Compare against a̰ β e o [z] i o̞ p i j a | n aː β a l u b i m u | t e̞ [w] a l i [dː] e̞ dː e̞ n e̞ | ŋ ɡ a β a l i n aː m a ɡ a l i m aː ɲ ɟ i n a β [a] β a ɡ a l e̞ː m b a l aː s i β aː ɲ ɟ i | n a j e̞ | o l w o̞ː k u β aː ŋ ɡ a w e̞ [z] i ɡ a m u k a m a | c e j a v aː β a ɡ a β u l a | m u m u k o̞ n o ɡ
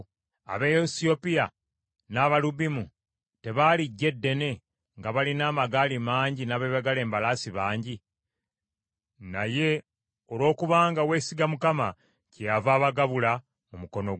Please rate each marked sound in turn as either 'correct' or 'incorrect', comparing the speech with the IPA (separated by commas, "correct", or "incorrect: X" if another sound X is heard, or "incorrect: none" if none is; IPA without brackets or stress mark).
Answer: incorrect: s, incorrect: β, incorrect: ɟː, incorrect: e, incorrect: s